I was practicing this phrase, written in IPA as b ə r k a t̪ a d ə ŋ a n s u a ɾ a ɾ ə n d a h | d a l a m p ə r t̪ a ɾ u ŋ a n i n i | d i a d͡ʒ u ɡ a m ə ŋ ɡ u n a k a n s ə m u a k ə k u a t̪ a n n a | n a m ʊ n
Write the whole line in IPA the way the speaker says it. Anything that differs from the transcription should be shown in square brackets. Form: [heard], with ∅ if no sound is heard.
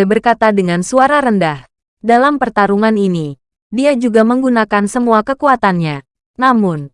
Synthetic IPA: b ə r k a t̪ a d ə ŋ a n s u a ɾ a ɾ ə n d a h | d a l a m p ə r t̪ a ɾ u ŋ a n i n i | d i a d͡ʒ u ɡ a m ə ŋ ɡ u n a k a n s ə m u a k ə k u a t̪ a n [ɲ] a | n a m ʊ n